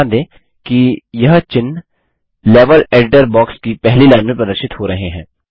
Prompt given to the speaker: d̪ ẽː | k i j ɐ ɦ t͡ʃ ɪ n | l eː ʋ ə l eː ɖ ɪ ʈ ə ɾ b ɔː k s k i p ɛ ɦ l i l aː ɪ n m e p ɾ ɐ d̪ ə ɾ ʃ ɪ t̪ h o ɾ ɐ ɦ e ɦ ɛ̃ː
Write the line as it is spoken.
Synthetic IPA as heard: d̪ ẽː | k i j ɐ ɦ t͡ʃ ɪ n | l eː ʋ ə l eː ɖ ɪ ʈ ə ɾ b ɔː k s k i p ɛ ɦ l i l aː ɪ n m ẽ p ɾ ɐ d̪ ə ɾ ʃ ɪ t̪ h o ɾ ɐ ɦ e ɦ ɛ̃ː